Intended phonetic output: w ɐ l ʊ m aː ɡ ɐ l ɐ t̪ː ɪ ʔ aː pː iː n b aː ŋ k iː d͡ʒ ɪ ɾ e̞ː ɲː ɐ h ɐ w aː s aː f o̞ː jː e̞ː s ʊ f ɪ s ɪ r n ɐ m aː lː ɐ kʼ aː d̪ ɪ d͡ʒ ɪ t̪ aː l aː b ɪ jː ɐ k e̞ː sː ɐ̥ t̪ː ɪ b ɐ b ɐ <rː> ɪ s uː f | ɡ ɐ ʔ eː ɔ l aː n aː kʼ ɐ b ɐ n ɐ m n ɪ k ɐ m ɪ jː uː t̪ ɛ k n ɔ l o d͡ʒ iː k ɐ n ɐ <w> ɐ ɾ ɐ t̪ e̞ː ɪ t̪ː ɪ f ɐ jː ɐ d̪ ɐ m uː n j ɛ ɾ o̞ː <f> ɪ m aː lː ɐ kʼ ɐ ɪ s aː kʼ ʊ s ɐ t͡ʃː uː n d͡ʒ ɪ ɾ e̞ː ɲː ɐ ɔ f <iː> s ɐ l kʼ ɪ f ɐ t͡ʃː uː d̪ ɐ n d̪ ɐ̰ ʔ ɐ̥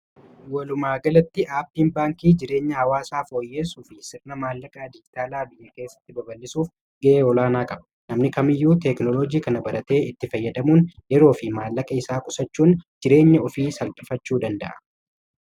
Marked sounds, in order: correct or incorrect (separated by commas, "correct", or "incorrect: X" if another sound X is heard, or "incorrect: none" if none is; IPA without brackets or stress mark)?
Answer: incorrect: lː, incorrect: b, correct, correct